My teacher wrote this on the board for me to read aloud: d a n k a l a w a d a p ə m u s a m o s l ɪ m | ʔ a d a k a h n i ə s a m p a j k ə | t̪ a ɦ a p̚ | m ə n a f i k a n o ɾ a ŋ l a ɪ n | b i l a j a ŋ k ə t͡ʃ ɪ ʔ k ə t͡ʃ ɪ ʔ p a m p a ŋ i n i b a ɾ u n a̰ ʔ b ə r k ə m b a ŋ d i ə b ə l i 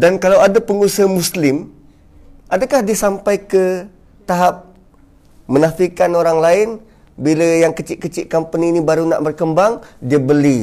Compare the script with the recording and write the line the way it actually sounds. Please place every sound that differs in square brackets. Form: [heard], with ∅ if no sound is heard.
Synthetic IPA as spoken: d a n k a l a w a d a p ə [ŋ] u s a m [u] s l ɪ m | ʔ a d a k a h [d] i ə s a m p a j k ə | t̪ a ɦ a p̚ | m ə n a f i k a n o ɾ a ŋ l a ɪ n | b i l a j a ŋ k ə t͡ʃ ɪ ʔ k ə t͡ʃ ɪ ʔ [k] a m p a [n] i n i b a ɾ u n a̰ ʔ b ə r k ə m b a ŋ d i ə b ə l i